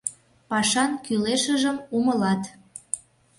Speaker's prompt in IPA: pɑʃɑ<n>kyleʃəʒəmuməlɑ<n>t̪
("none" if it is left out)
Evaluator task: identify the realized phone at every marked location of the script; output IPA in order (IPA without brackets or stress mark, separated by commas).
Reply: n, none